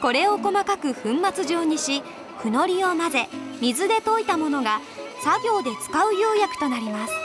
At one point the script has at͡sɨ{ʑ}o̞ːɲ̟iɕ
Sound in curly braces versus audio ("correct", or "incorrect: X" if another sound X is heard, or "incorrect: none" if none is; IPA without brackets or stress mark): correct